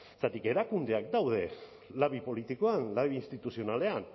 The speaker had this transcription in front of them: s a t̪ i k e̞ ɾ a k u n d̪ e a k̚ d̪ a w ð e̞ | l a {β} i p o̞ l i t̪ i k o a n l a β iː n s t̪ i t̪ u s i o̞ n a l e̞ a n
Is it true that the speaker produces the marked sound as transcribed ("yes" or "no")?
yes